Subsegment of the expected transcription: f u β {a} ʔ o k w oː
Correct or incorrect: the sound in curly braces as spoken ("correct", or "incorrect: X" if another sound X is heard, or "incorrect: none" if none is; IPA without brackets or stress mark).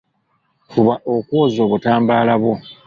correct